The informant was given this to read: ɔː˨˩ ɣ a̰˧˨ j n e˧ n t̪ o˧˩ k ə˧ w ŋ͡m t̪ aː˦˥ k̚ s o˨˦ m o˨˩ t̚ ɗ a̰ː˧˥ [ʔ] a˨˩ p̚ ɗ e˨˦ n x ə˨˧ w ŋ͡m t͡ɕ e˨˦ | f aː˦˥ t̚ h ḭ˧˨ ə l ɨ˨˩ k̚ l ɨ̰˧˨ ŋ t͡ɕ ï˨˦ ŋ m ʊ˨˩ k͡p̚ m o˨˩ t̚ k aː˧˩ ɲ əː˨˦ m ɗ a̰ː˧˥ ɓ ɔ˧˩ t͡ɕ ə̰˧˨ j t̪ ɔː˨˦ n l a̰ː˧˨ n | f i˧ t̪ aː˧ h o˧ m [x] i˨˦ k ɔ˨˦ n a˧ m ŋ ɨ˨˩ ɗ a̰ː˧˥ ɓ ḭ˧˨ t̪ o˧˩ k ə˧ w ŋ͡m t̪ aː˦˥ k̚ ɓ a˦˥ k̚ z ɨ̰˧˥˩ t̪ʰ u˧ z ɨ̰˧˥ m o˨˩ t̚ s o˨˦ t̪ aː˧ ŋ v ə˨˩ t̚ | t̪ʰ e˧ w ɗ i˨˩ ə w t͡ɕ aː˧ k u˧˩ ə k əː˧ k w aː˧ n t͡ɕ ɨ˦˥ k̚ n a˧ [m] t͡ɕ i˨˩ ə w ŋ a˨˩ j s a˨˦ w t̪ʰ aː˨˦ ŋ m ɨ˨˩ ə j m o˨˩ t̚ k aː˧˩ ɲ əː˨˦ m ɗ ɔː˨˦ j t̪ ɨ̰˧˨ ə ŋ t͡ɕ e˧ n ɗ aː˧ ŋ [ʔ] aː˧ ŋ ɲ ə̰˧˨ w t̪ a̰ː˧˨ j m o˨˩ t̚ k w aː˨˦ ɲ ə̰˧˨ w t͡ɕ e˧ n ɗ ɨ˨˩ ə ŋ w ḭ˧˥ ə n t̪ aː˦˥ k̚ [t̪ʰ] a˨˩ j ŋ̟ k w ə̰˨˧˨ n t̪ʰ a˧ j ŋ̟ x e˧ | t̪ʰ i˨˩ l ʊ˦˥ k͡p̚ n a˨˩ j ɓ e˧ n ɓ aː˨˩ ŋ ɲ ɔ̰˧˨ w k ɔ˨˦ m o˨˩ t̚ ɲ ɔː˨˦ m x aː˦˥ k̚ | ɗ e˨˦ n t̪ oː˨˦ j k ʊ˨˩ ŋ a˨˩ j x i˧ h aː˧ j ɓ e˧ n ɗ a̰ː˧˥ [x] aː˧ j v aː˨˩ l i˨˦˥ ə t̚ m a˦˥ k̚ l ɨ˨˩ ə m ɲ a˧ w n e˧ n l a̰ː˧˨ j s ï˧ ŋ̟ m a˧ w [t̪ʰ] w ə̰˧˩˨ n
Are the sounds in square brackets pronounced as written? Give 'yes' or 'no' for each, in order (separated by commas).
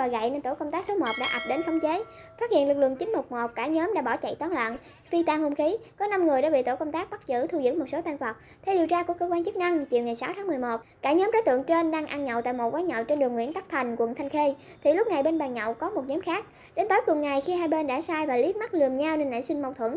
yes, yes, no, yes, yes, no, yes